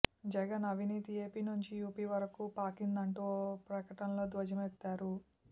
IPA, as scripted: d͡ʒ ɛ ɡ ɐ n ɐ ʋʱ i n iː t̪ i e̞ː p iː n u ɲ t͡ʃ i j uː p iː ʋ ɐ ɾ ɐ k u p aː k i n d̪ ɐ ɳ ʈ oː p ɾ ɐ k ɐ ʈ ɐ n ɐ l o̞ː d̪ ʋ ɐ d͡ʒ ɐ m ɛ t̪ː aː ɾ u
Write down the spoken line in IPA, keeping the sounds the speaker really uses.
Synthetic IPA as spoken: d͡ʒ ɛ ɡ ɐ n ɐ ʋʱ i n iː t̪ i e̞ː p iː n u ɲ t͡ʃ i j uː p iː ʋ ɐ ɾ ɐ k u p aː k i n d̪ ɐ ɳ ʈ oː p ɾ ɐ k ɐ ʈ ɐ n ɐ l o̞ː d̪ ʋ ɐ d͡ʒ ɐ m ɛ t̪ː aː ɾ u